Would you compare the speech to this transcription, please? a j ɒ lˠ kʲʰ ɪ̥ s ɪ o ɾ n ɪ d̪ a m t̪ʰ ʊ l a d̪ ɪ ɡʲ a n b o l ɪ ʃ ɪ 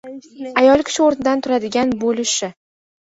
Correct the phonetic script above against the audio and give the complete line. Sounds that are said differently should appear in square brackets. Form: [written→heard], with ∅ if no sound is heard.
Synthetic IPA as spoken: a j ɒ lˠ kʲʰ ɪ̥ [s→ʃ] ɪ o ɾ n ɪ d̪ a [m→n] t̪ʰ ʊ [l→ɾ] a d̪ ɪ ɡʲ a n b o l ɪ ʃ ɪ